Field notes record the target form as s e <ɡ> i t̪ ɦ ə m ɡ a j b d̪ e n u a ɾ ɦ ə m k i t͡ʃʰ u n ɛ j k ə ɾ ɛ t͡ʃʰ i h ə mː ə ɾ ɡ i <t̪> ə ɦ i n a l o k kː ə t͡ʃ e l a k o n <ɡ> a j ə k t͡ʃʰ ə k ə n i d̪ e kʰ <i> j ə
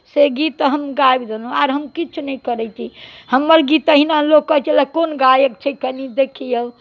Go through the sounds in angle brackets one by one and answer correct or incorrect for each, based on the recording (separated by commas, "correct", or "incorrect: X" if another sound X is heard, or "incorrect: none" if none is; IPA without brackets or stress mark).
correct, correct, correct, correct